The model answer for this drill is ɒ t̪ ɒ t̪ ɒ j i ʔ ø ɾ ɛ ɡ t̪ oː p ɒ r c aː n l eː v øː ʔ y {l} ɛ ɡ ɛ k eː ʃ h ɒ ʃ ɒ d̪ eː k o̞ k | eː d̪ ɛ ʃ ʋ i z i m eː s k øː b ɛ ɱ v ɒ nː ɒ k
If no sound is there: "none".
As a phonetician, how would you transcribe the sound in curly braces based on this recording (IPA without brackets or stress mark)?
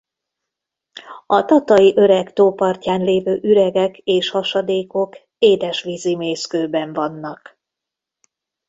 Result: ɾ